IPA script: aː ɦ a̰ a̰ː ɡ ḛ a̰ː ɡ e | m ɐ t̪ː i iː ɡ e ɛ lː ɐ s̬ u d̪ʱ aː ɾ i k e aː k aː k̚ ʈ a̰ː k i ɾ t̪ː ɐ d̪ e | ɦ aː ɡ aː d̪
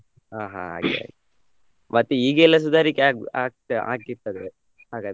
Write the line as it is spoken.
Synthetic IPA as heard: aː ɦ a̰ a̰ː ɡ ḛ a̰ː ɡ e | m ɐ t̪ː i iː ɡ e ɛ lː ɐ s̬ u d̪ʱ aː ɾ i k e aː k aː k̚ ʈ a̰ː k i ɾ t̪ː ɐ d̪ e | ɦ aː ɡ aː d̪

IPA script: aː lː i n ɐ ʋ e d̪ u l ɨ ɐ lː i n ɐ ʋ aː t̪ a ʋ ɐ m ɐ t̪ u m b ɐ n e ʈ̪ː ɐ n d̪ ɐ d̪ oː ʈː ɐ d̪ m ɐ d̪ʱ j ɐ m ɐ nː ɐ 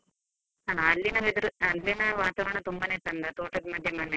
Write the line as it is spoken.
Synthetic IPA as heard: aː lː i n ɐ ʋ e d̪ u ɾ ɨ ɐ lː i n ɐ ʋ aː t̪ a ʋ ɐ ɳ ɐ t̪ u m b ɐ n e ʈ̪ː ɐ n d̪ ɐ t̪ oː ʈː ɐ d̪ m ɐ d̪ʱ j ɐ m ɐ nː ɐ

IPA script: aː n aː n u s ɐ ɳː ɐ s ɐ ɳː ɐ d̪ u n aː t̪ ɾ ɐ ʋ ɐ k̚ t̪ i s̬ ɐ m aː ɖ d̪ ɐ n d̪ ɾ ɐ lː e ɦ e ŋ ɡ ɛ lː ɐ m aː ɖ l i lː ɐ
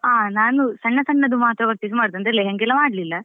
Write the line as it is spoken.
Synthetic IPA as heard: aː n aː n u s ɐ ɳː ɐ s ɐ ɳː ɐ d̪ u m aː t̪ ɾ ɐ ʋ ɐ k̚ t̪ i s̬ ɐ m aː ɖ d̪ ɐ n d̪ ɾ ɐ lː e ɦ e ŋ ɡ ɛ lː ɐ m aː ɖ l i lː ɐ

